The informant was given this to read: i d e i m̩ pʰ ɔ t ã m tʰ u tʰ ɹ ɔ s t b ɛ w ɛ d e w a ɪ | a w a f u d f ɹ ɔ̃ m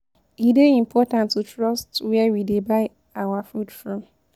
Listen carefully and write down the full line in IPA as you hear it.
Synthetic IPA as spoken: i d e i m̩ pʰ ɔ t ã n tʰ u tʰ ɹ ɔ s t w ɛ w i d e b a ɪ | a w a f u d f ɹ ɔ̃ m

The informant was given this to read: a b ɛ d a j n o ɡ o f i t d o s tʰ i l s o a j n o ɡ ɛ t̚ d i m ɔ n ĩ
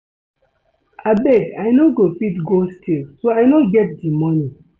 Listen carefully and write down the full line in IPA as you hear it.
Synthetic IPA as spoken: a b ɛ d a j n o ɡ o f i t ɡ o s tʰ i l s o a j n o ɡ ɛ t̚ d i m ɔ n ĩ

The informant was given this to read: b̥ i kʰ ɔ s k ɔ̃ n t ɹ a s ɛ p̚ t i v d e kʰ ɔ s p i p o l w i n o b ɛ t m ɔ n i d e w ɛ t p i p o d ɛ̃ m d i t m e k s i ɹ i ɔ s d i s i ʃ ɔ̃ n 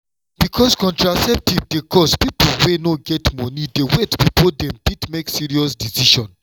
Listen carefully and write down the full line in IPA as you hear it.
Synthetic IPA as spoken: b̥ i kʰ ɔ s k ɔ̃ n t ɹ a s ɛ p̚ t i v d e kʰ ɔ s p i p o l w e n o ɡ ɛ t m ɔ n i d e w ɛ t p i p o d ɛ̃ m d i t m e k s i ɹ i ɔ s d i s i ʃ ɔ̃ n

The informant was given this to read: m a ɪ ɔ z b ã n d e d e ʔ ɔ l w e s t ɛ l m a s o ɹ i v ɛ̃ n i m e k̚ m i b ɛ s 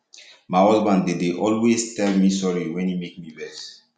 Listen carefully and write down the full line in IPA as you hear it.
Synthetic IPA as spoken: m a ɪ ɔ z b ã n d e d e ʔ ɔ l w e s t ɛ l m i s ɔ ɹ i w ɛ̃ n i m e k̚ m i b ɛ s

